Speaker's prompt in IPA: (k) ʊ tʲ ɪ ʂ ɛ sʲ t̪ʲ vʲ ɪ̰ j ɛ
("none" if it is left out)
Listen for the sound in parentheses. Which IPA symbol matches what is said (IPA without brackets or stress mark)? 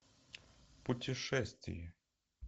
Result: p